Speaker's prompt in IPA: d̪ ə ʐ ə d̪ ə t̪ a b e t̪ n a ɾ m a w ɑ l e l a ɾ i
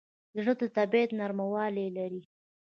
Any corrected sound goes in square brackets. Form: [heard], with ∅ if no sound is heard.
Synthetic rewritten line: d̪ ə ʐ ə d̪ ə t̪ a b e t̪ n a ɾ m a w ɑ l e l a ɾ i